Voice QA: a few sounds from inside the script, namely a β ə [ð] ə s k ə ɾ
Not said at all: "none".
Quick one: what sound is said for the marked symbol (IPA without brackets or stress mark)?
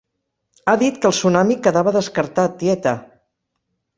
ð